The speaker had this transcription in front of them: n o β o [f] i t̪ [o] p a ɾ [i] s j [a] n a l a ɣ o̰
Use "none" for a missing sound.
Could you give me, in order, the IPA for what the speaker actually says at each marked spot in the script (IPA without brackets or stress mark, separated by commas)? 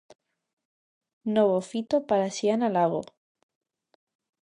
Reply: f, o, a, a